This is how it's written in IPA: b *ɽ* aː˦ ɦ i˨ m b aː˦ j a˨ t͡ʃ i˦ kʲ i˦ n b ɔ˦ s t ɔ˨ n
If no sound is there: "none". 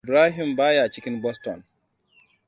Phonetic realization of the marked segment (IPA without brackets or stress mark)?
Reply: ɾ